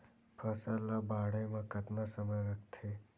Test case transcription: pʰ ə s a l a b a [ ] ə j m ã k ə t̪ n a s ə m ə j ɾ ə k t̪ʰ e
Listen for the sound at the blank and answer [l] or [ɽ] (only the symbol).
ɽ